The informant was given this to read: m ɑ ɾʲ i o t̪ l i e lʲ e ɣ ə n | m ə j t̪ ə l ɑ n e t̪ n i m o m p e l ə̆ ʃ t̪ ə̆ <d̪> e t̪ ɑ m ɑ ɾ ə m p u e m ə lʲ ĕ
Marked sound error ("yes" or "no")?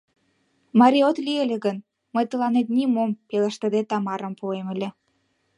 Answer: no